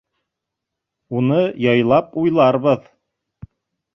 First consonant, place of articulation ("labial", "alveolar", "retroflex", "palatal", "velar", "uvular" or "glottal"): alveolar